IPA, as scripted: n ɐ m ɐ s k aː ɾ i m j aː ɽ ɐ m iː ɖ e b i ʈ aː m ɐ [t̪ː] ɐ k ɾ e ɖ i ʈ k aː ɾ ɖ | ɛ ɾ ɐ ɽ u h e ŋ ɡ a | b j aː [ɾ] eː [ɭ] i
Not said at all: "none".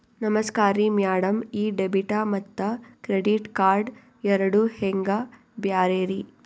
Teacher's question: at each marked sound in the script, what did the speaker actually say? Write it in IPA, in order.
t̪ː, ɾ, ɾ

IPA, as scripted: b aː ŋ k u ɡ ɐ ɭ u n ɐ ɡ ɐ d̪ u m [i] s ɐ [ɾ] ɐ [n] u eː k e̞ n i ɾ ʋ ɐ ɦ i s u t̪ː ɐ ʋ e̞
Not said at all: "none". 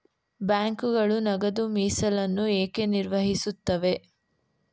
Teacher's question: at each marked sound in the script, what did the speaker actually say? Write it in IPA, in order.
iː, l, nː

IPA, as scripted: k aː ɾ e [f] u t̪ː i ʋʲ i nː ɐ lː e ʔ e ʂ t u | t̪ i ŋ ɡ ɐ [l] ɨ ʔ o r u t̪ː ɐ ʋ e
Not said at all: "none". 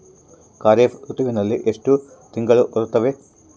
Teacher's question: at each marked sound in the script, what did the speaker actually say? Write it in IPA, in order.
f, ɭ

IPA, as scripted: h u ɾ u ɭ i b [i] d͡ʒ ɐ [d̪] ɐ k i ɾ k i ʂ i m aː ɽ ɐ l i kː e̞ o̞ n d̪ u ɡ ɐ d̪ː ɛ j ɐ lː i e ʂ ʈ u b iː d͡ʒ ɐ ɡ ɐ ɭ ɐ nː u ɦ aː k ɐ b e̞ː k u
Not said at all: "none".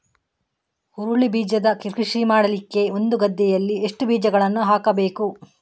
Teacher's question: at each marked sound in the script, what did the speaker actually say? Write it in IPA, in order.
iː, d̪

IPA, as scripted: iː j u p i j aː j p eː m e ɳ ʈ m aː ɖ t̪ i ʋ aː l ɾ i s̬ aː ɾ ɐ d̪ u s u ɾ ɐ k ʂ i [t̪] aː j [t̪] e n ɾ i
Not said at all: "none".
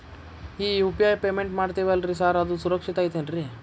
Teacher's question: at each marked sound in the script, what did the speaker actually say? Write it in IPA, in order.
t̪, t̪

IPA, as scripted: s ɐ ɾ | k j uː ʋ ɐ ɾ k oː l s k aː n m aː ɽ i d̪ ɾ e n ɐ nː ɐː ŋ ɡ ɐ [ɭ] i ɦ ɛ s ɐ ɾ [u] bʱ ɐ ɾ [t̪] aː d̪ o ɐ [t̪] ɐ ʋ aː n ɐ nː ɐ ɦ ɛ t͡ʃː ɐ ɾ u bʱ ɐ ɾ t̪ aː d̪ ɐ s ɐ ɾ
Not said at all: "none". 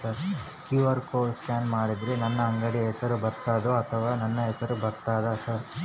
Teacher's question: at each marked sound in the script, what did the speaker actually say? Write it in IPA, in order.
ɽ, u, t̪, t̪ʰ

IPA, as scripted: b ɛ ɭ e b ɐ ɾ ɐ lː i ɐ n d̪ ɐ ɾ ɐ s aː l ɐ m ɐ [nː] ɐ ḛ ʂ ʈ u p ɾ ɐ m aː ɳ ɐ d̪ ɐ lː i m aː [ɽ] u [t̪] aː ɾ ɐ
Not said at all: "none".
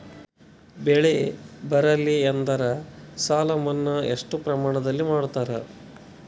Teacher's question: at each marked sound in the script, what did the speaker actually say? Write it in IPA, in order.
nː, ɽ, t̪

